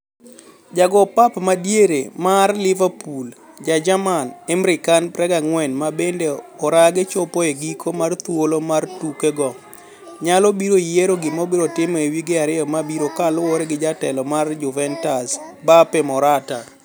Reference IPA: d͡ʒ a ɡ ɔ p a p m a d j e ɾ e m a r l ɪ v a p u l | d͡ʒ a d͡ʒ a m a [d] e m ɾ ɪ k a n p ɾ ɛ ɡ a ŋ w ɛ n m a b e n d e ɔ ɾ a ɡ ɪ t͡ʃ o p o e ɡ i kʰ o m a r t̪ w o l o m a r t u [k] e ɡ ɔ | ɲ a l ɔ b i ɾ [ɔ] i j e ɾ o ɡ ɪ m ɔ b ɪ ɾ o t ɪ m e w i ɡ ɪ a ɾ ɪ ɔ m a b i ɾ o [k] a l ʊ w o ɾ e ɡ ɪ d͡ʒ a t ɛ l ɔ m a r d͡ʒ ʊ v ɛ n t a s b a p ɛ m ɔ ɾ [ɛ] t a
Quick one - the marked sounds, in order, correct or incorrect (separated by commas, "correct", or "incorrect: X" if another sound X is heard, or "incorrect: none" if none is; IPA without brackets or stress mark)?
incorrect: n, correct, incorrect: o, correct, incorrect: a